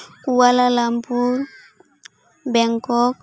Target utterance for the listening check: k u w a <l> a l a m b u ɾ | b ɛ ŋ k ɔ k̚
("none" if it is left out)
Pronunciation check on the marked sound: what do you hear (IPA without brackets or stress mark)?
l